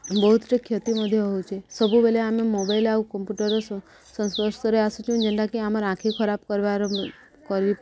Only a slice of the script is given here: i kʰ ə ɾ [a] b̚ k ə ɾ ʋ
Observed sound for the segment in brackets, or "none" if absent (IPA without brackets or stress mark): a